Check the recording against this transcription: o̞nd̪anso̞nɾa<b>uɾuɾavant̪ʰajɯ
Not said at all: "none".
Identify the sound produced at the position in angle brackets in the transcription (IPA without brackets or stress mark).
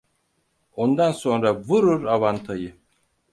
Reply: v